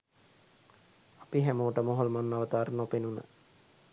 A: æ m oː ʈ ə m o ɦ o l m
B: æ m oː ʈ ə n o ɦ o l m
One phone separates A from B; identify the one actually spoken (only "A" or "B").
A